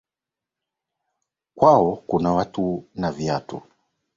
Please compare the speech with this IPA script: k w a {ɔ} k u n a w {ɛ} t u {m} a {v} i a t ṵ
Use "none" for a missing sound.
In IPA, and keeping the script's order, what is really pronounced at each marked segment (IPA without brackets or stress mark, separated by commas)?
ɔ, a, n, v